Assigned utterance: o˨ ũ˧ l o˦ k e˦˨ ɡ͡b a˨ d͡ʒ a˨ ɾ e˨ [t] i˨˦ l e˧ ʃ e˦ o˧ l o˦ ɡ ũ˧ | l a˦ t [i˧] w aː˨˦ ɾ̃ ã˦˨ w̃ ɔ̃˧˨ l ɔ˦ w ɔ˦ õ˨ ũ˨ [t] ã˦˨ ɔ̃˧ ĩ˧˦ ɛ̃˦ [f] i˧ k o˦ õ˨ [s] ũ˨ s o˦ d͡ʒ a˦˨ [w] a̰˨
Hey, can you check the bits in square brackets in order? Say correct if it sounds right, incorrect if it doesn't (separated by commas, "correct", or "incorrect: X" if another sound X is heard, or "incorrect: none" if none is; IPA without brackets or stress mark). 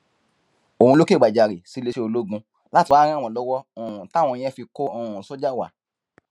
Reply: incorrect: s, correct, correct, correct, incorrect: none, correct